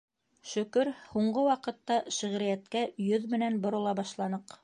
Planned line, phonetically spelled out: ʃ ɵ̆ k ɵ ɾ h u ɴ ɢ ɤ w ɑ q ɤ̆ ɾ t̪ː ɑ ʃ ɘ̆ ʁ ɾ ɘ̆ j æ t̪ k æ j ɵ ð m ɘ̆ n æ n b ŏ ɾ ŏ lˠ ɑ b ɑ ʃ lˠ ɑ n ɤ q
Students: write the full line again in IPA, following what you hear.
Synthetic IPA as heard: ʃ ɵ̆ k ɵ ɾ h u ɴ ɢ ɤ w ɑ q ɤ̆ t̪ː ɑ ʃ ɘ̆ ʁ ɾ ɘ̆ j æ t̪ k æ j ɵ ð m ɘ̆ n æ n b ŏ ɾ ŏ lˠ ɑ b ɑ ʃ lˠ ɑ n ɤ q

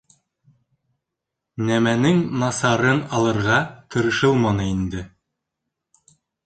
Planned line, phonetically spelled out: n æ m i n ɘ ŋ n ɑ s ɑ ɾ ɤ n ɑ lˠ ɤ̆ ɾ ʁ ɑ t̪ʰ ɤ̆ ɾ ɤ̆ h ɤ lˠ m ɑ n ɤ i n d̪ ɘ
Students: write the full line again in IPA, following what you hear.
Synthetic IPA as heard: n æ m æ n ɘ ŋ n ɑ s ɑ ɾ ɤ n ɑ lˠ ɤ̆ ɾ ʁ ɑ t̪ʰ ɤ̆ ɾ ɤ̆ ʃ ɤ lˠ m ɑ n ɤ i n d̪ ɘ

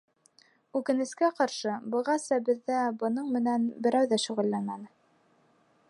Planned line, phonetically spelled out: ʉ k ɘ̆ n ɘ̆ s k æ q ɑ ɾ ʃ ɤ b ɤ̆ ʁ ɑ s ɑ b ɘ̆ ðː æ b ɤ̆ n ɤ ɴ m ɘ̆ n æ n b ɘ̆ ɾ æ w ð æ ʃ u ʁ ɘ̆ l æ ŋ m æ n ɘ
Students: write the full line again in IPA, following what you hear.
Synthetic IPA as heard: ʉ k ɘ̆ n ɘ̆ s k æ q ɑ ɾ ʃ ɤ b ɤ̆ ʁ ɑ s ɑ b ɘ̆ ðː æ b ɤ̆ n ɤ ɴ m ɘ̆ n æ n b ɘ̆ ɾ æ w ð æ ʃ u ʁ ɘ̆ lː æ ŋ m æ n ɘ

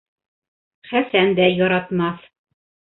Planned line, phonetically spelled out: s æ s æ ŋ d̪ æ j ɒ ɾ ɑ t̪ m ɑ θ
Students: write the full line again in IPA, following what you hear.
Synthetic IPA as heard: χ æ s æ n d̪ æ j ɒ ɾ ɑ t̪ m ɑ θ

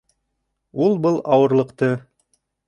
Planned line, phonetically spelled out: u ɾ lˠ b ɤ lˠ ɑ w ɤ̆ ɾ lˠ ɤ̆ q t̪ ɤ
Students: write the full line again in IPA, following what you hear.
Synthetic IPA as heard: u lˠ b ɤ lˠ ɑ w ɤ̆ ɾ lˠ ɤ̆ q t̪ ɤ

